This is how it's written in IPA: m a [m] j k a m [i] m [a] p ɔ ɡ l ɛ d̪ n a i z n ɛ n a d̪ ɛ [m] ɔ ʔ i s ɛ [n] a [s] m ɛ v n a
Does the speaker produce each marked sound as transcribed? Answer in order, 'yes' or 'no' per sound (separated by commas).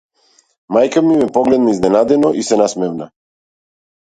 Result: no, yes, no, no, yes, yes